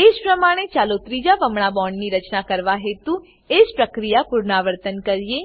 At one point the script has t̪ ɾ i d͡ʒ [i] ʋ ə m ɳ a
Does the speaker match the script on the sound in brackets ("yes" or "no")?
no